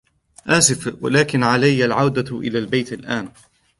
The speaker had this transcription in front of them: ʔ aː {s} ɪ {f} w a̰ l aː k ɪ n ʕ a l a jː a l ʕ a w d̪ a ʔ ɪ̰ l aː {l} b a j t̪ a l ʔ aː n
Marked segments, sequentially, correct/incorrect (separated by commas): correct, correct, correct